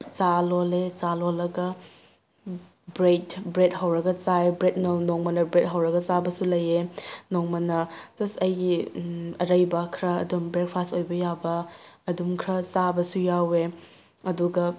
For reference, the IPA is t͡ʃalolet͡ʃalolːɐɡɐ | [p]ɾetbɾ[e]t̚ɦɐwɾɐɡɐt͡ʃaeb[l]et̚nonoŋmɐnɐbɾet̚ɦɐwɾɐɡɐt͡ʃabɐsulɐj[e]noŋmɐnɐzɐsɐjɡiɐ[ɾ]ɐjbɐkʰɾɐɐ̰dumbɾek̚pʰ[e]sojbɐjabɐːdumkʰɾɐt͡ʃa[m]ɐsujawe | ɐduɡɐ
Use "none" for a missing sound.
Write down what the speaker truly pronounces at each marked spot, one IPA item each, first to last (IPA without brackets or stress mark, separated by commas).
b, e, ɾ, e, ɾ, a, b